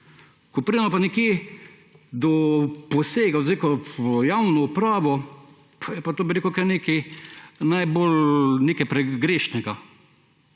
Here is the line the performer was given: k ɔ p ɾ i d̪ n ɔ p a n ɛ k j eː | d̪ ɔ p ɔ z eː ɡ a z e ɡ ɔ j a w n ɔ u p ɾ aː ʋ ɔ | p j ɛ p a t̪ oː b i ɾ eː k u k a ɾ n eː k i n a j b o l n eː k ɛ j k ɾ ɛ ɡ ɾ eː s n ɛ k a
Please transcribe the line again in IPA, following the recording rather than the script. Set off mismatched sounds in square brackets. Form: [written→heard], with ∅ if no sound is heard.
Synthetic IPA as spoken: k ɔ p ɾ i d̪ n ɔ p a n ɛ k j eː | d̪ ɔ p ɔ [z→s] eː ɡ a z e [ɡ→k] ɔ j a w n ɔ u p ɾ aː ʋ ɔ | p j ɛ p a t̪ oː b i ɾ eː k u k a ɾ n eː k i n a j b o l n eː k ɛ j [k→p] ɾ ɛ ɡ ɾ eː [s→ʃ] n ɛ [k→ɡ] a